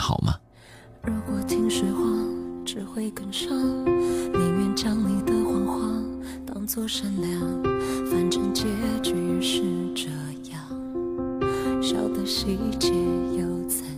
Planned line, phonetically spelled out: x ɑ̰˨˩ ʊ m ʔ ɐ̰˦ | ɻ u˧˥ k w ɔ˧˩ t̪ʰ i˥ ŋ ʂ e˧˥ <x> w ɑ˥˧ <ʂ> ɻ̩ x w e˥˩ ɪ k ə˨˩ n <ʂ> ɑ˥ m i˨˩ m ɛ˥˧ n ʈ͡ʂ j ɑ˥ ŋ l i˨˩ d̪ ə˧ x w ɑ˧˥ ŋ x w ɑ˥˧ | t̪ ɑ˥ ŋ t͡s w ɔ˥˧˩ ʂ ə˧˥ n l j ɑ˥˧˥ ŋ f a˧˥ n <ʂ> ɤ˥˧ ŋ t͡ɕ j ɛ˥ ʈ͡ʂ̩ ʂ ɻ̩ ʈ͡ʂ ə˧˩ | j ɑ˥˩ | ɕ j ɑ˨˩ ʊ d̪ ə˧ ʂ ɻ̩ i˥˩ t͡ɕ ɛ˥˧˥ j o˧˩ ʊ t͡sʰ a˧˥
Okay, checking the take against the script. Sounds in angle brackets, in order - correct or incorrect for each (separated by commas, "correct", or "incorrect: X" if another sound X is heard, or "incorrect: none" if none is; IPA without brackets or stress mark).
correct, incorrect: ʈ͡ʂ, correct, incorrect: ʈ͡ʂ